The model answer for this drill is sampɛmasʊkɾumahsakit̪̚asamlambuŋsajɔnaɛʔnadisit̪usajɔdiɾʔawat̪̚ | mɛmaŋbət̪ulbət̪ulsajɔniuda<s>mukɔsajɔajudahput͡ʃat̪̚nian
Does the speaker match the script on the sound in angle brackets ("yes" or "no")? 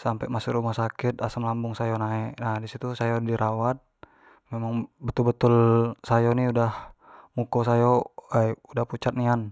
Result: no